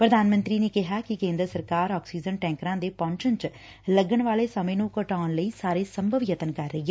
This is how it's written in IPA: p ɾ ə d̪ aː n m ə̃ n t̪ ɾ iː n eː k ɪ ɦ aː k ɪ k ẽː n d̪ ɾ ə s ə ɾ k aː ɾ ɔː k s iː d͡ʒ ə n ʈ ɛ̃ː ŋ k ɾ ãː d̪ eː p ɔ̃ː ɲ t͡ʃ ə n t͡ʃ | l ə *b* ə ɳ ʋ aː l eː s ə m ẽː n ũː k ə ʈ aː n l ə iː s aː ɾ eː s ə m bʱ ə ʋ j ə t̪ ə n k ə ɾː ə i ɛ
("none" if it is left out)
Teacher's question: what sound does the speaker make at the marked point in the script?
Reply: ɡ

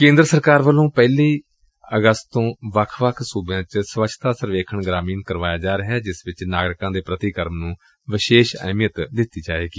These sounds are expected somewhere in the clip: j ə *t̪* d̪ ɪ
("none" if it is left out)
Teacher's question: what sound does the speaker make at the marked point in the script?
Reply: t̪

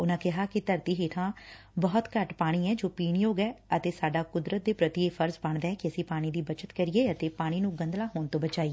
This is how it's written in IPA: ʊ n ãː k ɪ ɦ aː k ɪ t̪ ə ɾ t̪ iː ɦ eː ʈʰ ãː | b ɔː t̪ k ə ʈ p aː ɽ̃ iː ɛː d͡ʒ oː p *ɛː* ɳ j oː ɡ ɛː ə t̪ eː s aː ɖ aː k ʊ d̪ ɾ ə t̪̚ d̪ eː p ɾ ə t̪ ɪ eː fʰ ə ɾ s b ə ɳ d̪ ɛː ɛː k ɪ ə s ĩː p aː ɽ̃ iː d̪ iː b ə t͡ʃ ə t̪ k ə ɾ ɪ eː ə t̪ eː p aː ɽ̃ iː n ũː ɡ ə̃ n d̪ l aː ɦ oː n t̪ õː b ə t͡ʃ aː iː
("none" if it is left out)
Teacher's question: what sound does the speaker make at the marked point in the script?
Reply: iː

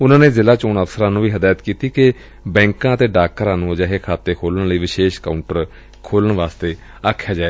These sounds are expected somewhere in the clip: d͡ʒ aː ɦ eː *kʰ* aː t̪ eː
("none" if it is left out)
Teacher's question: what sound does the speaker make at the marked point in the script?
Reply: kʰ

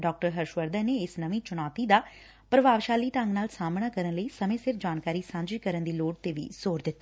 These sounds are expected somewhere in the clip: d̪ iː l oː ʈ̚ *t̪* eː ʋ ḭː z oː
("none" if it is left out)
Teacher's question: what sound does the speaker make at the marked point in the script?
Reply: t̪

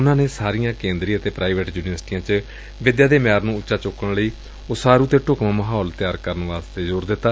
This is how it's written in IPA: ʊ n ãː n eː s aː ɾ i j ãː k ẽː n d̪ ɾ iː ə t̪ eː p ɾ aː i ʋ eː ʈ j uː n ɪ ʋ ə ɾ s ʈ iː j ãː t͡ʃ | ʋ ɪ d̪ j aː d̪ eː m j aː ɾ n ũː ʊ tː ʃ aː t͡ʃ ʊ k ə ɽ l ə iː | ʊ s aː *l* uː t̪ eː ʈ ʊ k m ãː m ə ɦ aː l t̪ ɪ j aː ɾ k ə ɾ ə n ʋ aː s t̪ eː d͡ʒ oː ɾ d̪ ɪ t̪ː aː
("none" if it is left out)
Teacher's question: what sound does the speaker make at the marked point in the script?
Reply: ɾ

